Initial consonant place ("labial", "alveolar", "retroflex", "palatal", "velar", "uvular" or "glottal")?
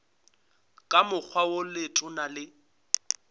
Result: velar